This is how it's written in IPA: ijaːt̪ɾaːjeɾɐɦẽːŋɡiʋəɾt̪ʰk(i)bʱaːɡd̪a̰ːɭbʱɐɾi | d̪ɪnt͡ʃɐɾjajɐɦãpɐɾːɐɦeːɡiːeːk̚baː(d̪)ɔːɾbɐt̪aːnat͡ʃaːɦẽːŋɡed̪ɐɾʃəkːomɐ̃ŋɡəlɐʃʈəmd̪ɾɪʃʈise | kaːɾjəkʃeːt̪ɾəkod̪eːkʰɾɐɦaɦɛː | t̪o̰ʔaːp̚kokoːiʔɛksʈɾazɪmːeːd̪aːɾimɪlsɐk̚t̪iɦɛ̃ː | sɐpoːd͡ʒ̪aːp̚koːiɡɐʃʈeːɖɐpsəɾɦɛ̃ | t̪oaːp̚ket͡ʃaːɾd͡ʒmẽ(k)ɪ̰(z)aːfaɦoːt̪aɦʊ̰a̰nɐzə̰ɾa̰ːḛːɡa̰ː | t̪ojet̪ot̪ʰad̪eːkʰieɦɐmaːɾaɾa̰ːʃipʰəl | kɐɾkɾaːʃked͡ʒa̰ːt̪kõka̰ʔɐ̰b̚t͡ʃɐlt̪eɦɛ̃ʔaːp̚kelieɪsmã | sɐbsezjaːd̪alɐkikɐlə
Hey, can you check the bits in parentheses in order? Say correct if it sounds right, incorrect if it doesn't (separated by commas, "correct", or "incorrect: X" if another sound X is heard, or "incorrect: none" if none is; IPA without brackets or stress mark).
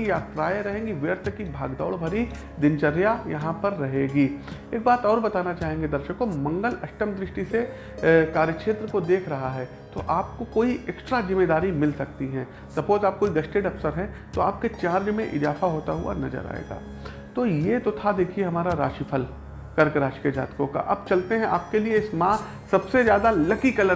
correct, incorrect: t̪, incorrect: ʔ, correct